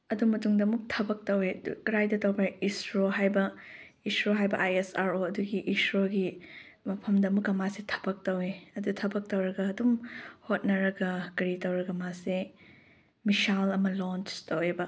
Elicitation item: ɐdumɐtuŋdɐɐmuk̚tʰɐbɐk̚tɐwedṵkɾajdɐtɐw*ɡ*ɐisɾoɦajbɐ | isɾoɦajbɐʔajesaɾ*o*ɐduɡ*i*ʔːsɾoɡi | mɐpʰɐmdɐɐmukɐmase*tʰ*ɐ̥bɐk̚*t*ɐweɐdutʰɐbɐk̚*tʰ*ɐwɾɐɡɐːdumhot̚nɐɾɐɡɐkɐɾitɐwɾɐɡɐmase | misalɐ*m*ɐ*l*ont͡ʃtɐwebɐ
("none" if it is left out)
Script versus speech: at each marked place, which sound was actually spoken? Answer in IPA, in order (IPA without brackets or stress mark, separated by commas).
b, o, i, tʰ, t, t, m, l